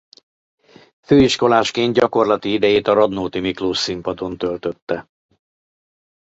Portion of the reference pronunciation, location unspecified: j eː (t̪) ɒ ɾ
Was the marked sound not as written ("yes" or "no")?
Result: no